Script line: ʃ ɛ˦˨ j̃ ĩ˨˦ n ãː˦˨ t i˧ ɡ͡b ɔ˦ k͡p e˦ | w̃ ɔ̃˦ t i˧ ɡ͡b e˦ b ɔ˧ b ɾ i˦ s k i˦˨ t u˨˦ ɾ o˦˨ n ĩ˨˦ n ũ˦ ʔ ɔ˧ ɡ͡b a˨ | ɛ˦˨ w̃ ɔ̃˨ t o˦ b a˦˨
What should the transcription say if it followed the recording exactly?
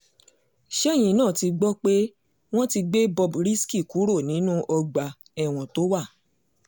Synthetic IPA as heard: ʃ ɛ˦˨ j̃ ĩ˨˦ n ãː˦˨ t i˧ ɡ͡b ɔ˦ k͡p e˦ | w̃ ɔ̃˦ t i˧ ɡ͡b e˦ b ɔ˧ b ɾ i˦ s k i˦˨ k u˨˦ ɾ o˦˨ n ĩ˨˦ n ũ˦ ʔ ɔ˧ ɡ͡b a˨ | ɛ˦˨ w̃ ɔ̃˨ t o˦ w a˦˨